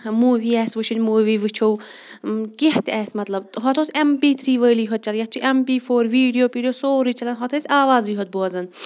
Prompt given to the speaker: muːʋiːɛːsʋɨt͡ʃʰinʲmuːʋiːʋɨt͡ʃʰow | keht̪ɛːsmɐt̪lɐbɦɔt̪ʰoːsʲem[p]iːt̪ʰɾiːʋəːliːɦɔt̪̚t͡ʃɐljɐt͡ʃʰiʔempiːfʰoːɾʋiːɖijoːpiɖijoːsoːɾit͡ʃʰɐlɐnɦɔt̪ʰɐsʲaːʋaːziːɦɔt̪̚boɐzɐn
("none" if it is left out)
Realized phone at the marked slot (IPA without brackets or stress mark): p